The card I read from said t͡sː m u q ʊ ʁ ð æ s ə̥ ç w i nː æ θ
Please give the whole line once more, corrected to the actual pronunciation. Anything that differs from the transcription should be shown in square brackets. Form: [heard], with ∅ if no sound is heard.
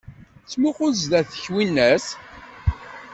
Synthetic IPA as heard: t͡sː m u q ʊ [z] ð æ [θ] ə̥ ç w i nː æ [s]